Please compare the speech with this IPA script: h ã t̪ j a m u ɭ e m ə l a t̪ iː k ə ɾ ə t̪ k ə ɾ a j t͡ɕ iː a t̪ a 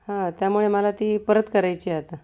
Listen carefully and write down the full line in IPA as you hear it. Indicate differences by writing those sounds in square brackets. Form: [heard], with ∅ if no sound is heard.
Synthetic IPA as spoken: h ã t̪ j a m u ɭ e m ə l a t̪ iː [p] ə ɾ ə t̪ k ə ɾ a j t͡ɕ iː a t̪ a